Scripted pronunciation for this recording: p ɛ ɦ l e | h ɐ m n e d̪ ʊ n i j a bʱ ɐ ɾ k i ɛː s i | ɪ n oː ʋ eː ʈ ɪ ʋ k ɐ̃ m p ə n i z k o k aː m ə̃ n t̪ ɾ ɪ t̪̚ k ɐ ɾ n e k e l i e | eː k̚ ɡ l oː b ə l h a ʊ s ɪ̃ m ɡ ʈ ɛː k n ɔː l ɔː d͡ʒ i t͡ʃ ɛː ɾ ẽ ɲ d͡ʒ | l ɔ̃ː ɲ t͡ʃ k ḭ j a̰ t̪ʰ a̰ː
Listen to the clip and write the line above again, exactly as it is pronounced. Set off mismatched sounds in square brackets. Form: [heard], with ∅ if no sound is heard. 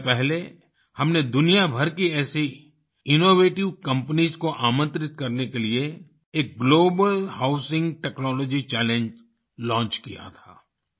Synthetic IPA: p ɛ ɦ l e | h ɐ m n e d̪ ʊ n i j a bʱ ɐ ɾ k i ɛː s i | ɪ n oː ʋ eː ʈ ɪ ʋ k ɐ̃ m p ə n i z k o [ʔ] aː m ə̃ n t̪ ɾ ɪ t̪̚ k ɐ ɾ n e k e l i e | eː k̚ ɡ l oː b ə l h a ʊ s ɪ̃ [ŋ] ɡ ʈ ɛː k n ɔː l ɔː d͡ʒ i t͡ʃ ɛː [l] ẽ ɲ d͡ʒ | l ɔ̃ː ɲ t͡ʃ k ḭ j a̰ t̪ʰ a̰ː